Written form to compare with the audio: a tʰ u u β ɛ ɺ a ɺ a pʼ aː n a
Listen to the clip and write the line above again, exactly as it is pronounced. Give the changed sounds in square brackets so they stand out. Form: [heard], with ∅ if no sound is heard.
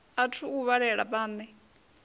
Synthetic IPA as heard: a tʰ u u β [a] ɺ [ɛ] ɺ a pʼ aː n [ɛ]